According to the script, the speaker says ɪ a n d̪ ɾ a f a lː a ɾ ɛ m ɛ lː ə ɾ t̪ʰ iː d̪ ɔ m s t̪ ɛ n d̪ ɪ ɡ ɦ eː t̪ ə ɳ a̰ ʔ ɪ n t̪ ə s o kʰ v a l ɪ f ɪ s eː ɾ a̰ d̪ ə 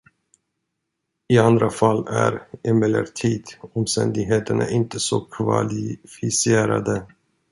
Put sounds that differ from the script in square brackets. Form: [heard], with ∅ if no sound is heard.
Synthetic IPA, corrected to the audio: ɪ a n d̪ ɾ a f a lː [æ] ɾ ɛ m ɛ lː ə ɾ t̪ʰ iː d̪ ɔ m s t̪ ɛ n d̪ ɪ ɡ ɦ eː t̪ ə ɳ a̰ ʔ ɪ n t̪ ə s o kʰ v a l ɪ f ɪ s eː ɾ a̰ d̪ ə